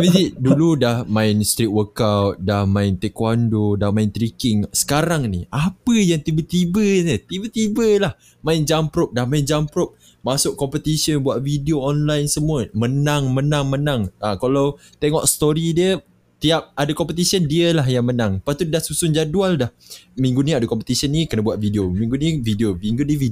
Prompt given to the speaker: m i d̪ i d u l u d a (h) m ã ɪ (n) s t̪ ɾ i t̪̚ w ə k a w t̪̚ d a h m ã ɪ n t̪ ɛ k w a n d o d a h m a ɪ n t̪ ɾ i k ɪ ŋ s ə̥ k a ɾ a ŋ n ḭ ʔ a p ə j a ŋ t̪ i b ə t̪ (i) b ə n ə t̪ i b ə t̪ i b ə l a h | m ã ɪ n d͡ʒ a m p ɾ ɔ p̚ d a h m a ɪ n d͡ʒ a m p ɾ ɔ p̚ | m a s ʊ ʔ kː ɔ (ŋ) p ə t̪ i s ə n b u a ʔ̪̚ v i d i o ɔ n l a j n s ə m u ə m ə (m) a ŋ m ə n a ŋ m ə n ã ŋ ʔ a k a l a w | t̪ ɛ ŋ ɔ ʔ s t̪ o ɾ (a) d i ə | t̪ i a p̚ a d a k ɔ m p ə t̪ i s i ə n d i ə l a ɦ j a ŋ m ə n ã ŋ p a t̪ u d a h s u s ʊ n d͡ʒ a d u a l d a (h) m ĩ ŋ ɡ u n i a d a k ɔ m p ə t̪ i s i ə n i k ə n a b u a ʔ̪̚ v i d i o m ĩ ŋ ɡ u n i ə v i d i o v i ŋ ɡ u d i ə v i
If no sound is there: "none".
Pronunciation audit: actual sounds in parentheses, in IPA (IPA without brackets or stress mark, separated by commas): h, n, i, m, n, i, h